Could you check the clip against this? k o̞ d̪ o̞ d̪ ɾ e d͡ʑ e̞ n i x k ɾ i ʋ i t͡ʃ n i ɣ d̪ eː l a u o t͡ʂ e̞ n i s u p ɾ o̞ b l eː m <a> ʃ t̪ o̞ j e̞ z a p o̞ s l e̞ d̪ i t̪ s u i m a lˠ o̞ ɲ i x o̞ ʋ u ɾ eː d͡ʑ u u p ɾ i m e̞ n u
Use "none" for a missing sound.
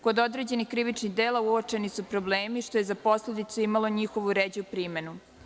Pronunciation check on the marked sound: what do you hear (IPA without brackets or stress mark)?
i